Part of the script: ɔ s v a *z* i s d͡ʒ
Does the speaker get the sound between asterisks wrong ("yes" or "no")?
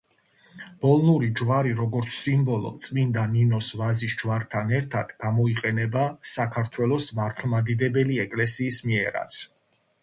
no